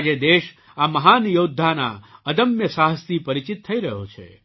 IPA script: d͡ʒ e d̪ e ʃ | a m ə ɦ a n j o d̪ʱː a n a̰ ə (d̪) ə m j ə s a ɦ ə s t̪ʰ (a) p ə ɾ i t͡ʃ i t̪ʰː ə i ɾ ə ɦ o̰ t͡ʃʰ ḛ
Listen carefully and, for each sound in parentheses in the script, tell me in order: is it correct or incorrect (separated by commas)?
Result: correct, incorrect